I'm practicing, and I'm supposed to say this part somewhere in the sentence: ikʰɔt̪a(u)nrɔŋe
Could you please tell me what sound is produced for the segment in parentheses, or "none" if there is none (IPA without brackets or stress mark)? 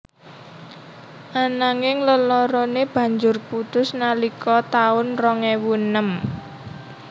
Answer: ʊ